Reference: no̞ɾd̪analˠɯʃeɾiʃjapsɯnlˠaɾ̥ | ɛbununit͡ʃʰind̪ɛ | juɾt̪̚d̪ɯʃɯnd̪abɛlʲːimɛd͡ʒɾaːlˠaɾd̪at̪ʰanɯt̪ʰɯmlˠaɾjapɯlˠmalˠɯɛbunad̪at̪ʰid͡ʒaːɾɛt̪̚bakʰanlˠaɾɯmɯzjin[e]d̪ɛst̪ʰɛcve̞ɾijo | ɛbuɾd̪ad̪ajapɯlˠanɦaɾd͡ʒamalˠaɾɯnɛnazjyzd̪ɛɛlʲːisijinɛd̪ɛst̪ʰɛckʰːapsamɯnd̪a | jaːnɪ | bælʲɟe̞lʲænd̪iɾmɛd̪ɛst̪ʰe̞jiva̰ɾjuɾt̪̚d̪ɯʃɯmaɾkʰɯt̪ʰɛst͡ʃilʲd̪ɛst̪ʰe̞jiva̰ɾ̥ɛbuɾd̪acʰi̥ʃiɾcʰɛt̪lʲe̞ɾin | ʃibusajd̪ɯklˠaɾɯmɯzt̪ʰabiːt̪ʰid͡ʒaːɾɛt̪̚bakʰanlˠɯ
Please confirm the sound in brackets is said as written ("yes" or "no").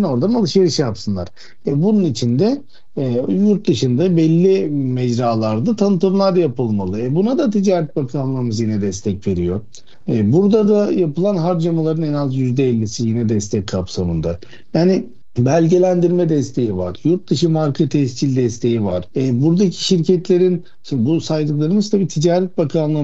no